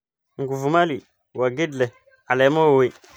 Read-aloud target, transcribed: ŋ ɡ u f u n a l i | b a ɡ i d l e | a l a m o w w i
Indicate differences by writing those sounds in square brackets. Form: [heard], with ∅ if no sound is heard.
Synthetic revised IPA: ŋ ɡ u [v] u [m] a l i | [w] a ɡ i d l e | a l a m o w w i